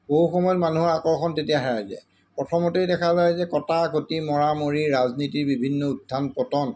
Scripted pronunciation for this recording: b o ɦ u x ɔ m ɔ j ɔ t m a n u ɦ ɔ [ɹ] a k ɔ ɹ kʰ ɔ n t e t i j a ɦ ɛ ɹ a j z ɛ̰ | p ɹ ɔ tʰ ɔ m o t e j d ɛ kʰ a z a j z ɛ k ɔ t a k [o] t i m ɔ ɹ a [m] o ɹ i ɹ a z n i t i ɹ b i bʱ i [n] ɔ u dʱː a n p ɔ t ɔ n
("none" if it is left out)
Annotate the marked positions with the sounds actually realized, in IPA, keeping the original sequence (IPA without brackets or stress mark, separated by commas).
ɹ, o, m, nː